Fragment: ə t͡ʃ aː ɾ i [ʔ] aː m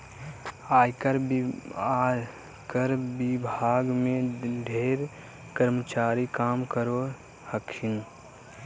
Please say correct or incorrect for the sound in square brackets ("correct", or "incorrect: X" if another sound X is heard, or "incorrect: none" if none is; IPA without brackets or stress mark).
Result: incorrect: k